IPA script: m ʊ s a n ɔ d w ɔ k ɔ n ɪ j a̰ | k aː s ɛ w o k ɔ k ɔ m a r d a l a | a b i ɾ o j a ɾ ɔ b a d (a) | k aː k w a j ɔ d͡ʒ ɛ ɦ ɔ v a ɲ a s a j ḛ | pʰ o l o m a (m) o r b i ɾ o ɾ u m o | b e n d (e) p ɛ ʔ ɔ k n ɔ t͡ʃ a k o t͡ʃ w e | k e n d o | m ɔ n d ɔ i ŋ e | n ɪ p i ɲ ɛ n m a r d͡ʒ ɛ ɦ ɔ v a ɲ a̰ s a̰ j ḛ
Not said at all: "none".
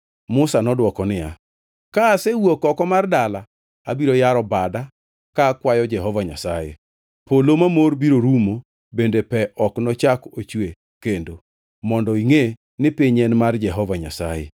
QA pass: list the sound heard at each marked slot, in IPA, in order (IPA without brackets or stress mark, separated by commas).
a, m, e